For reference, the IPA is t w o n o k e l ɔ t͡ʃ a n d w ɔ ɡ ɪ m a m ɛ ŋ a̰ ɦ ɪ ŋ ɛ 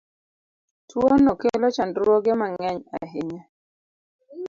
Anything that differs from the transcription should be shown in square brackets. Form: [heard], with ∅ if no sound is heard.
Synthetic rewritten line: t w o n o k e l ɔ t͡ʃ a n d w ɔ ɡ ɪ m a [ŋ] ɛ [ɲ] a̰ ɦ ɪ [ɲ] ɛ